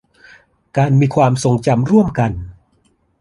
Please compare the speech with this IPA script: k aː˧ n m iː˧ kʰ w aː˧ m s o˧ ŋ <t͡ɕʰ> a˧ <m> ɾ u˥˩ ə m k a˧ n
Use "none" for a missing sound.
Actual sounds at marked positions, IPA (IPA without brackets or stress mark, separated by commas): t͡ɕ, m